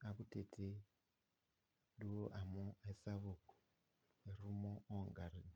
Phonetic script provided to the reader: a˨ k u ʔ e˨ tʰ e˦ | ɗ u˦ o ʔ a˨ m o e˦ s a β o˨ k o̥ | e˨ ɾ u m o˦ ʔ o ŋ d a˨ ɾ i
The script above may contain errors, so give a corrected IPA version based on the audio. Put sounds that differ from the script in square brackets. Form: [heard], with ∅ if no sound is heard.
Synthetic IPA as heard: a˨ k u [t] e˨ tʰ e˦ | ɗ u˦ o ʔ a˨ m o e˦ s a β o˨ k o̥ | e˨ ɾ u m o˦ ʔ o ŋ [ɡ] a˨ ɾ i